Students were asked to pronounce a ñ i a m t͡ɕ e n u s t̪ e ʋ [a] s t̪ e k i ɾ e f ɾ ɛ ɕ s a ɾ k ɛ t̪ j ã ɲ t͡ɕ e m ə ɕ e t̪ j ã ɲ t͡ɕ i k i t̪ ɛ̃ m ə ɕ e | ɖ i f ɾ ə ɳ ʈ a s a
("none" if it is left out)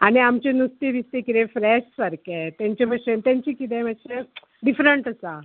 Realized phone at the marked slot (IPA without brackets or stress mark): i